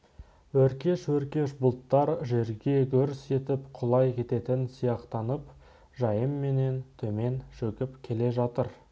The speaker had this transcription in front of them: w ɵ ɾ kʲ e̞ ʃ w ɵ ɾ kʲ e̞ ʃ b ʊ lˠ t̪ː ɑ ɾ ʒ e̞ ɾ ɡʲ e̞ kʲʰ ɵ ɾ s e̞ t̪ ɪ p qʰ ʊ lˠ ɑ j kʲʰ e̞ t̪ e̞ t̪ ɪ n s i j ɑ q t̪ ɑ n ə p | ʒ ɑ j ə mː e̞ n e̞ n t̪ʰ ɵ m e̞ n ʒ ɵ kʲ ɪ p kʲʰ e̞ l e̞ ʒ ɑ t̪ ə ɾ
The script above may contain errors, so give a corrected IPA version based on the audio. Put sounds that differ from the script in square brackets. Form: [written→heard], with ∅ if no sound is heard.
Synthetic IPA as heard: w ɵ ɾ kʲ e̞ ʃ w ɵ ɾ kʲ e̞ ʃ b ʊ lˠ t̪ː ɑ ɾ ʒ e̞ ɾ ɡʲ e̞ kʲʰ ɵ ɾ s e̞ t̪ ɪ p qʰ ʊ lˠ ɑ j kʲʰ e̞ t̪ e̞ t̪ ɪ n s i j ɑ q t̪ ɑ n ə p | ʒ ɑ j ə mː e̞ n e̞ n t̪ʰ ɵ m e̞ n [ʒ→ʃ] ɵ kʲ ɪ p kʲʰ e̞ l e̞ ʒ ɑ t̪ ə ɾ